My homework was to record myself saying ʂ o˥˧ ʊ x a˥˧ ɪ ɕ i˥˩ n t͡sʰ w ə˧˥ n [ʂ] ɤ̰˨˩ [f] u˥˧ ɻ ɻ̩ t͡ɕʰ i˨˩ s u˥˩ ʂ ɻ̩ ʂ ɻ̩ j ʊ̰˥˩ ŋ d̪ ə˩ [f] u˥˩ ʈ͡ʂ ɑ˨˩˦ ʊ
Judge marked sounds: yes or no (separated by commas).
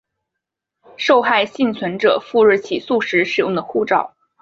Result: no, yes, no